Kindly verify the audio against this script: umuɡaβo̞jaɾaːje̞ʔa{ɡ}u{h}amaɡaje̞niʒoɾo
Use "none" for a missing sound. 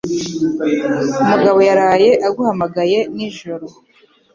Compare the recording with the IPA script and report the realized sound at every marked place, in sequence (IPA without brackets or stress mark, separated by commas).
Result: ɡ, h